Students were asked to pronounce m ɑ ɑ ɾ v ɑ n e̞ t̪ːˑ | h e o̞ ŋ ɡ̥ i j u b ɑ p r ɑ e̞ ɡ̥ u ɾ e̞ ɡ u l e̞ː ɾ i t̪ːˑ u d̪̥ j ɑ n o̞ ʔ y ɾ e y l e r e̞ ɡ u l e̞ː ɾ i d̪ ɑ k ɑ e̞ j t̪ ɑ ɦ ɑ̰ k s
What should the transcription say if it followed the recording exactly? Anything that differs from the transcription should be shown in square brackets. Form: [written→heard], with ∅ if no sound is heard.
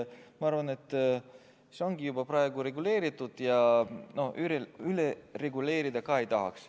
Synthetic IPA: m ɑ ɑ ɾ v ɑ n e̞ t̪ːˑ | [h→s] e o̞ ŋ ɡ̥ i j u b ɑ p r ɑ e̞ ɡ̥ u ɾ e̞ ɡ u l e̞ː ɾ i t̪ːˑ u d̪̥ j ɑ n o̞ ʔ y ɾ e y l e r e̞ ɡ u l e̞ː ɾ i d̪ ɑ k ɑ e̞ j t̪ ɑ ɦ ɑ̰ k s